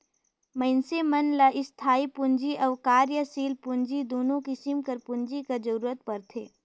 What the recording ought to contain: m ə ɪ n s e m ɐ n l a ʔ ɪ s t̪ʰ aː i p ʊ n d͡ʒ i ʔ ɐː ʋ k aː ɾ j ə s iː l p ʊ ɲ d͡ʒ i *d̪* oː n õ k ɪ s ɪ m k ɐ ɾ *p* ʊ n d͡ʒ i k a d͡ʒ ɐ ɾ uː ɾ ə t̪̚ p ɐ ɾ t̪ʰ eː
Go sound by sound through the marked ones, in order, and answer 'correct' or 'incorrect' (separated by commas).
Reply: correct, correct